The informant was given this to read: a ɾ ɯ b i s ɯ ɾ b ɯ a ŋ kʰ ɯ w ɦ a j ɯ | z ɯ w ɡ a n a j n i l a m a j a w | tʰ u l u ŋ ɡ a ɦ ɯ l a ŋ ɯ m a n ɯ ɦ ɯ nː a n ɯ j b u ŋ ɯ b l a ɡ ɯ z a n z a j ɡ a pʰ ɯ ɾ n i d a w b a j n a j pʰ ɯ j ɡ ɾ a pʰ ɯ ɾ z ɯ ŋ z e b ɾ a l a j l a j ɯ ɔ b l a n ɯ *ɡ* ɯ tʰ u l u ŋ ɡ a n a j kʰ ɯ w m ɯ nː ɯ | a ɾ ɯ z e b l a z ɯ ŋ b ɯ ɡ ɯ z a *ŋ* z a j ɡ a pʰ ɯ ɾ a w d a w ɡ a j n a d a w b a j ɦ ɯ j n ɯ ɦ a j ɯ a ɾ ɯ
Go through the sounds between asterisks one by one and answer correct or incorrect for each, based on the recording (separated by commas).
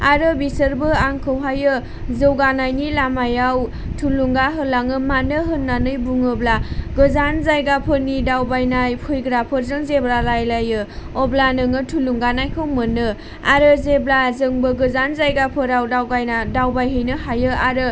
incorrect, incorrect